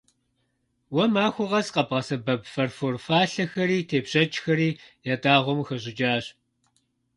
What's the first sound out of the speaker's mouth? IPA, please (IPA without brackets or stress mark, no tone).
w